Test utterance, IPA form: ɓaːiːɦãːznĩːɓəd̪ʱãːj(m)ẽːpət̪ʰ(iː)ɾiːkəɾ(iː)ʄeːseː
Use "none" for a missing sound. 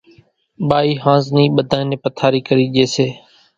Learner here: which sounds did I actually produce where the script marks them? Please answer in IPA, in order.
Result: n, aː, iː

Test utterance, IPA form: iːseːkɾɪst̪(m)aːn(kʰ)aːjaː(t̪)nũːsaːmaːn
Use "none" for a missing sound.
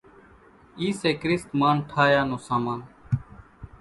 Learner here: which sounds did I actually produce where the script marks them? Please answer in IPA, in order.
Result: m, ʈʰ, none

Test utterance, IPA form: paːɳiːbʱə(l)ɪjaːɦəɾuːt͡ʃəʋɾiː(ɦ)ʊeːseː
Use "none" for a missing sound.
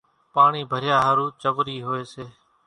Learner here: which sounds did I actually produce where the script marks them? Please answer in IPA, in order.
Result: ɾ, ɦ

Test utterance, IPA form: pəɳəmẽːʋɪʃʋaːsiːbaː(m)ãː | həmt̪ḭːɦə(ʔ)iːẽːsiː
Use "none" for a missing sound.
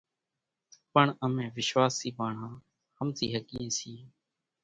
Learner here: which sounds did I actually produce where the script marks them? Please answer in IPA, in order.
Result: ɳ, k

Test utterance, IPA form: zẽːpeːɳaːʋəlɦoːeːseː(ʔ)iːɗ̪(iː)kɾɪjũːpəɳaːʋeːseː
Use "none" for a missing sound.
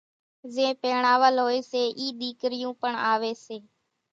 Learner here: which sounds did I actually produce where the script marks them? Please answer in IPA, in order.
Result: ʔ, iː

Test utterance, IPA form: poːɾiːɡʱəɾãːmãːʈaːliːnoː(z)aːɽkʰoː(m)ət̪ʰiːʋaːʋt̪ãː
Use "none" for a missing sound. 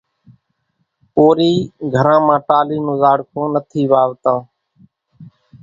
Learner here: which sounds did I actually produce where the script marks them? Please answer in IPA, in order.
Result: z, n

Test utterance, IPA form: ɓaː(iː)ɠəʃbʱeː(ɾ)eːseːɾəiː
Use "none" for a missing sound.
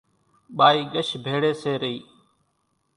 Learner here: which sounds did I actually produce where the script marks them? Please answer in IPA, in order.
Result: iː, ɽ

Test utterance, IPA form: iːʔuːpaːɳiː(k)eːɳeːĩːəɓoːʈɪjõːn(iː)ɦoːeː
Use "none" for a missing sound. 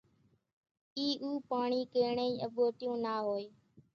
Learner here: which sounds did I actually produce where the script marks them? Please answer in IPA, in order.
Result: k, aː

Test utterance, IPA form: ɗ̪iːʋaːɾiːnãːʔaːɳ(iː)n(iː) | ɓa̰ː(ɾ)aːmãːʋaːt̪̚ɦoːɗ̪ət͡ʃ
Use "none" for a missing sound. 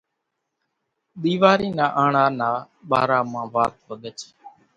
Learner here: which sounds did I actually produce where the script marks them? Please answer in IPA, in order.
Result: aː, aː, ɾ

